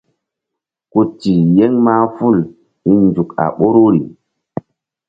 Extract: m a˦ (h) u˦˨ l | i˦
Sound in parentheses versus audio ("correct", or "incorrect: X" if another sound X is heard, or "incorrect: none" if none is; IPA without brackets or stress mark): incorrect: f